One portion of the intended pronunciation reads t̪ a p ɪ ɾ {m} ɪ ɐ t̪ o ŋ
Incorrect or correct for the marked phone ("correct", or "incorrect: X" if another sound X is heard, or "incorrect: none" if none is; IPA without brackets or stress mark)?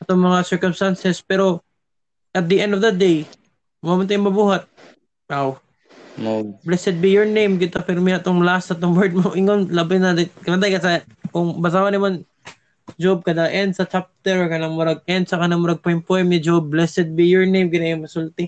correct